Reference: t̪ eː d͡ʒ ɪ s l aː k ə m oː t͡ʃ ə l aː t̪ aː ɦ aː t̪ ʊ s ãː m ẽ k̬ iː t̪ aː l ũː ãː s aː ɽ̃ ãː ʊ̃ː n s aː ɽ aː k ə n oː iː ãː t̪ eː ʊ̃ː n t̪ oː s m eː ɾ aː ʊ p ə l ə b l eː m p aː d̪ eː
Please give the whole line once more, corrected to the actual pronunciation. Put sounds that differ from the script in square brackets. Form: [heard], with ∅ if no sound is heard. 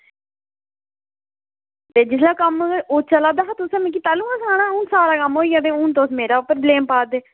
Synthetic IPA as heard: t̪ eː d͡ʒ ɪ s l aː k ə m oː t͡ʃ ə l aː [d̪] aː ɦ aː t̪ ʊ s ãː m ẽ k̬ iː t̪ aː l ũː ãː s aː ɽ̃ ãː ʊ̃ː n s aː [ɾ] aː k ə [m] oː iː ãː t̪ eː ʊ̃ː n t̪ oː s m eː ɾ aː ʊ p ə [ɾ] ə b l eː m p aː d̪ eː